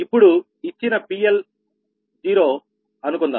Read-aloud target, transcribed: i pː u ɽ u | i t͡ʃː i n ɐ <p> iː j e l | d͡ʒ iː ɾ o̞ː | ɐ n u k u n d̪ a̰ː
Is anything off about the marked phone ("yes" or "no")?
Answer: no